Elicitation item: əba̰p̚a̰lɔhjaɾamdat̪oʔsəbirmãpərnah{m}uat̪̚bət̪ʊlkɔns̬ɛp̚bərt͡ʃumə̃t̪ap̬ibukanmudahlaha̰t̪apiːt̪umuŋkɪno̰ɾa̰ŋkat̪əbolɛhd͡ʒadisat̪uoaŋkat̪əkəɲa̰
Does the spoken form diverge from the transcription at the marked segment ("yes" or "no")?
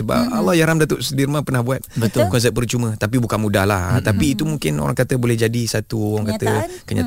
yes